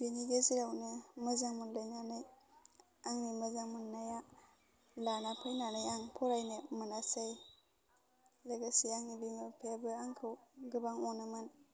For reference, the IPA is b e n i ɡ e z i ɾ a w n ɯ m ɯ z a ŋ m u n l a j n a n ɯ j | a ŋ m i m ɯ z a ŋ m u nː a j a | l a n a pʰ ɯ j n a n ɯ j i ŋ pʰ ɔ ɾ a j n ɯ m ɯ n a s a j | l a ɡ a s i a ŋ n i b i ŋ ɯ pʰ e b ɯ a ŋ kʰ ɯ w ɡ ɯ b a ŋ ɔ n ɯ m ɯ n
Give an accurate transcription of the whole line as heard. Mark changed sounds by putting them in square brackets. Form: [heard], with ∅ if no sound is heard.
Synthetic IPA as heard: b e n i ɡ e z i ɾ a w n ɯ m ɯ z a ŋ m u n l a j n a n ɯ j | a ŋ [n] i m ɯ z a ŋ m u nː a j a | l a n a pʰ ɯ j n a n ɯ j [a] ŋ pʰ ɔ ɾ a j n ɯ m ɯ n a s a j | l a ɡ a s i a ŋ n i b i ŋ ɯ pʰ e b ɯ a ŋ kʰ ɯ w ɡ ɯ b a ŋ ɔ n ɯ m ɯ n